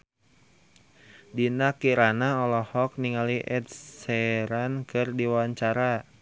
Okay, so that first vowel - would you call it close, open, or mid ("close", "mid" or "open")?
close